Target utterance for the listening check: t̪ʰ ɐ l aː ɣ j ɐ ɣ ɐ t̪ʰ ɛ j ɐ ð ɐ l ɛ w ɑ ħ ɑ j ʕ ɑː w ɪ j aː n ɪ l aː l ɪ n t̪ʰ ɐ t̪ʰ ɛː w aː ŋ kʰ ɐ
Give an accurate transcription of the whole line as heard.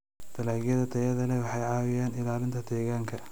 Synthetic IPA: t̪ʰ ɐ l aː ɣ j ɐ ð ɐ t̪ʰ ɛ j ɐ ð ɐ l ɛ w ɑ ħ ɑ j ʕ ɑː w ɪ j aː n ɪ l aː l ɪ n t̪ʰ ɐ t̪ʰ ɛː ɣ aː ŋ kʰ ɐ